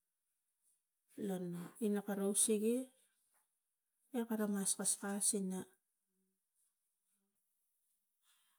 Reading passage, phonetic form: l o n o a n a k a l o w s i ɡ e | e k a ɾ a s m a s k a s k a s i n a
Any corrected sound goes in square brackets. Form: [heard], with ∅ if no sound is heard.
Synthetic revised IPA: l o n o [i] n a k a [ɾ] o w s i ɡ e | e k a ɾ a [∅] m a s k a s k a s i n a